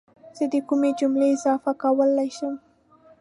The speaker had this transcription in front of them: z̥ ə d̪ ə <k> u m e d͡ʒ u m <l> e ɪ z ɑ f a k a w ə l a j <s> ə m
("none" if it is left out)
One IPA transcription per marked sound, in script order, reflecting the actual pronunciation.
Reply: k, l, ʃ

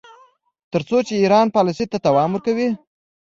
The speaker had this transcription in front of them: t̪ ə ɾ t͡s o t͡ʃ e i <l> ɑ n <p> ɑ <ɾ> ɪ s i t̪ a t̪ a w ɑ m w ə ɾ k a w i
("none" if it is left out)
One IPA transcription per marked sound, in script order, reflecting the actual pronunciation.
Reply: ɾ, p, l

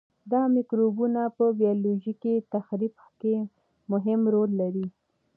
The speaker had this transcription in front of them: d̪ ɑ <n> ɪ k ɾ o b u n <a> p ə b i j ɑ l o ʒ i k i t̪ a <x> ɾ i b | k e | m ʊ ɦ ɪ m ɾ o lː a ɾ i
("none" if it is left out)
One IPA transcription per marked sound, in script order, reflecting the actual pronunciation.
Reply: m, a, x

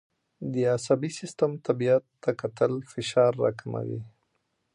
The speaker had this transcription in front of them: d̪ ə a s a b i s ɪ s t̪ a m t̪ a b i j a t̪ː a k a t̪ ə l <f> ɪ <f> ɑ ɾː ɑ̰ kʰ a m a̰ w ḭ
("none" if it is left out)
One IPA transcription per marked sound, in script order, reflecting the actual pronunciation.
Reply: f, ʃ

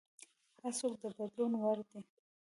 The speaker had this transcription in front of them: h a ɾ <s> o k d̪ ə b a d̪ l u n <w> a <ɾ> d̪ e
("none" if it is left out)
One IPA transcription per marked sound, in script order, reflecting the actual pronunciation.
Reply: s, w, ɾ

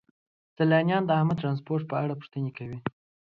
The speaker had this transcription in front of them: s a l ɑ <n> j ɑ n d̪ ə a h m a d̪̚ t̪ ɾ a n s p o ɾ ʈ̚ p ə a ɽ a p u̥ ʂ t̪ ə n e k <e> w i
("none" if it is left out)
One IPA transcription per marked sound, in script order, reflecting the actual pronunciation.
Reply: n, a

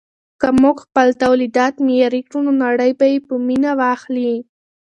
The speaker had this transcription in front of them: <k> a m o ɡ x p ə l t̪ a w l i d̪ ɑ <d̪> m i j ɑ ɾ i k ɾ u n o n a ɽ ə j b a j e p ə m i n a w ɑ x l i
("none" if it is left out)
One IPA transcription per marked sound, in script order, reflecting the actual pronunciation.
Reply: k, t̪

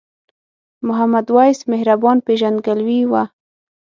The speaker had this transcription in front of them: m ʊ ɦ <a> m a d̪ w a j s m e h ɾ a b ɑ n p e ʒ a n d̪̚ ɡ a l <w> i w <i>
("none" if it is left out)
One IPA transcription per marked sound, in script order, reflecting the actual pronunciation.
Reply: a, w, a

